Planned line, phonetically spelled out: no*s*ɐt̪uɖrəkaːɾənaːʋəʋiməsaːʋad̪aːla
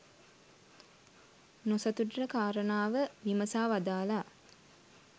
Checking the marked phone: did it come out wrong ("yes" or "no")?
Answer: no